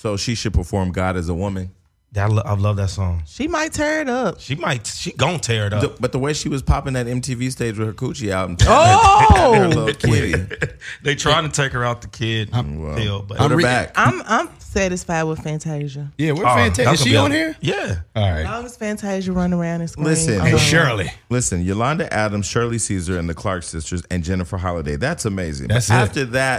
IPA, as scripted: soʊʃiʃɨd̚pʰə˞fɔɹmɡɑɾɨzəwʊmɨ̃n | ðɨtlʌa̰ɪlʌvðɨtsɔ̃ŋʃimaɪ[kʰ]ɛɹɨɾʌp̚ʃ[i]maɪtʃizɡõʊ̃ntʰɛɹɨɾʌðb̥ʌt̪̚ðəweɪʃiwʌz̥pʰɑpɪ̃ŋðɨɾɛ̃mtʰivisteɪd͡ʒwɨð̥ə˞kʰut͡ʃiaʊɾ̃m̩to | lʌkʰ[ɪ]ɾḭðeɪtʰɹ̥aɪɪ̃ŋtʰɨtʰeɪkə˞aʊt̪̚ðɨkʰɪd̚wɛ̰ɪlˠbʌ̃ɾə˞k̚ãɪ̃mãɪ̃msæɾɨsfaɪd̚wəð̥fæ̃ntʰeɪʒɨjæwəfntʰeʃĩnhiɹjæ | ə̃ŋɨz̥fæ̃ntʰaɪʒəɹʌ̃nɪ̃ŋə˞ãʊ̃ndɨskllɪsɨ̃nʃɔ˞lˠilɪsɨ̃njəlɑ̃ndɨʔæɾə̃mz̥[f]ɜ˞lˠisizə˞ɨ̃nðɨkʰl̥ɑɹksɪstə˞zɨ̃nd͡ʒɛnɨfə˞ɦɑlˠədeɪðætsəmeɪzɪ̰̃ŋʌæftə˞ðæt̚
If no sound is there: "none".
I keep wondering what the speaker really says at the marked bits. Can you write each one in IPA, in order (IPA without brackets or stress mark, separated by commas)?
tʰ, i, ɪ, ʃ